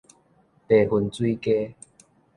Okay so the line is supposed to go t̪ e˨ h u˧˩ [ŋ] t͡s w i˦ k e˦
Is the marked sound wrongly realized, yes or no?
yes